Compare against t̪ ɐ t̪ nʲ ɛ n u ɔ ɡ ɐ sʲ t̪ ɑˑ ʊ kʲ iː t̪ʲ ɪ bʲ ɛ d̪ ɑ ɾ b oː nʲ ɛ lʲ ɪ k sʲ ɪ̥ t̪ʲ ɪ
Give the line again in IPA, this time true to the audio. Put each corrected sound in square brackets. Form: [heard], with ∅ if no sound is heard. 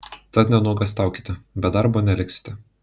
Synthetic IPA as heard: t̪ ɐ t̪ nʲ ɛ n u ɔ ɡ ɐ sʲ t̪ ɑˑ ʊ kʲ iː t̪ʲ ɪ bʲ ɛ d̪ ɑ ɾ b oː nʲ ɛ lʲ ɪ k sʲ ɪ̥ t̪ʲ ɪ